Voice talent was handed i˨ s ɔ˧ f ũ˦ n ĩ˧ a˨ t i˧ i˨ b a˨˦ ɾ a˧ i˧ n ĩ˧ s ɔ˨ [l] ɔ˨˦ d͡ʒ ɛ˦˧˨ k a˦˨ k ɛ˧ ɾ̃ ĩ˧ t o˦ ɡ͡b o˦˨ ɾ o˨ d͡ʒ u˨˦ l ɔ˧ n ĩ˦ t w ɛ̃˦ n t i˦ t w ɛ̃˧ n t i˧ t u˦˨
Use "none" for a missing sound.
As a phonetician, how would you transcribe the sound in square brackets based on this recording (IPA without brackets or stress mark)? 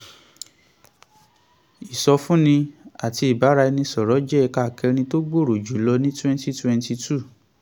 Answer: ɾ